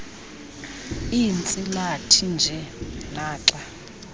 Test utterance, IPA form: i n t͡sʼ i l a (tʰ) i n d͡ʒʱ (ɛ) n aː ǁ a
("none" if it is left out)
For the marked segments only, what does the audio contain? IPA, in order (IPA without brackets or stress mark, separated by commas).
tʰ, ɛ